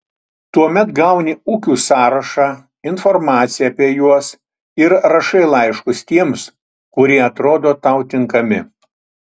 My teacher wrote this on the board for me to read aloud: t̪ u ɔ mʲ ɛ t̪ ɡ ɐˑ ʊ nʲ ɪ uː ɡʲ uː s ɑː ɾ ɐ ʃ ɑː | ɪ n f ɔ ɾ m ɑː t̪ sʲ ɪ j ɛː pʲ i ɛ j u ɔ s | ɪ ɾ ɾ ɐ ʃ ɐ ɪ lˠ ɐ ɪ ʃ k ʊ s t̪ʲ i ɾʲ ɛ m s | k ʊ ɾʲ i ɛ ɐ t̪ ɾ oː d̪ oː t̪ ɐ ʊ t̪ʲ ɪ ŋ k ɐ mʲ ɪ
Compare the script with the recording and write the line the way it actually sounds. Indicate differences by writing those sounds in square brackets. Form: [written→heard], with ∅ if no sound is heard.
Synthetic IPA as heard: t̪ u ɔ mʲ ɛ t̪ ɡ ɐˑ ʊ nʲ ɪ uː [ɡʲ→kʲ] uː s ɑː ɾ ɐ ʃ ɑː | ɪ n f ɔ ɾ m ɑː t̪ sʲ ɪ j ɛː pʲ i ɛ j u ɔ s | ɪ ɾ ɾ ɐ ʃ ɐ ɪ lˠ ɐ ɪ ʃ k ʊ s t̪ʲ i [ɾʲ→∅] ɛ m s | k ʊ ɾʲ i ɛ ɐ t̪ ɾ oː d̪ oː t̪ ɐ ʊ t̪ʲ ɪ ŋ k ɐ mʲ ɪ